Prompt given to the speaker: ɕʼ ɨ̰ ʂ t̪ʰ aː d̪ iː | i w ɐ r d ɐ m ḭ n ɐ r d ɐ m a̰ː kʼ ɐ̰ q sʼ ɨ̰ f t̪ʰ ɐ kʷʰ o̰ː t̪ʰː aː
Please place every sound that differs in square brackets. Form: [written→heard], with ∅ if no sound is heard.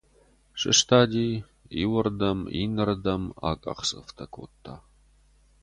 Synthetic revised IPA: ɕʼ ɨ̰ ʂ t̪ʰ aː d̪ iː | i w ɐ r d ɐ m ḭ n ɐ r d ɐ m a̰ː kʼ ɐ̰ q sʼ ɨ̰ f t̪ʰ ɐ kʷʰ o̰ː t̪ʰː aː